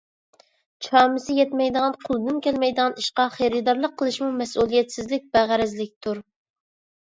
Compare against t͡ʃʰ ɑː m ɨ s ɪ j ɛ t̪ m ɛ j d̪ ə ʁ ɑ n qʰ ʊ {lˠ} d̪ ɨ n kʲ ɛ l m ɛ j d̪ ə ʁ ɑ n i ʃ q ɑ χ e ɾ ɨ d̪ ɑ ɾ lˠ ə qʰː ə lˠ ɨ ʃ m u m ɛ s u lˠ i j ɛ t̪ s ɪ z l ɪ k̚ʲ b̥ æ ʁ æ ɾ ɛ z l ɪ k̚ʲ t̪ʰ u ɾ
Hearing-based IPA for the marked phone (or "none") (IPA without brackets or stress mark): lˠ